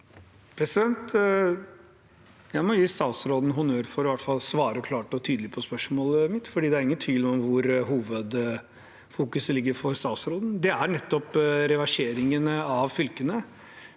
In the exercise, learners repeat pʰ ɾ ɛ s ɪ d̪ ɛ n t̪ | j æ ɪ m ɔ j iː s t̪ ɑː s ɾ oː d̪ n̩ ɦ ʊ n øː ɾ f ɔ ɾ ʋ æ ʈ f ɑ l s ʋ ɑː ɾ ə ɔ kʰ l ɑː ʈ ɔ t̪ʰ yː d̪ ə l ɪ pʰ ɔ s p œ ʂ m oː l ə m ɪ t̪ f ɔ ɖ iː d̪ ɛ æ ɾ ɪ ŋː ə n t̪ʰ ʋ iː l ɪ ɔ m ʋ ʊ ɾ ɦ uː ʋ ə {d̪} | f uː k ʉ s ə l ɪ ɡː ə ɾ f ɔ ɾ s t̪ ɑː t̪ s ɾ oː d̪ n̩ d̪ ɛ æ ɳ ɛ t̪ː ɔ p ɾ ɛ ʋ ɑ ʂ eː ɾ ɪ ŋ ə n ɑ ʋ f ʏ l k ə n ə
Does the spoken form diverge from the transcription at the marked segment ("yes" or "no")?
no